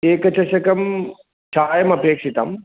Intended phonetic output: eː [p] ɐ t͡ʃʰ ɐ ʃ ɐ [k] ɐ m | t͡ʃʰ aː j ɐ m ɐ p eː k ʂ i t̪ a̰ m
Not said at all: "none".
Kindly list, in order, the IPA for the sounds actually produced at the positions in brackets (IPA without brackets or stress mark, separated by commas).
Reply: k, k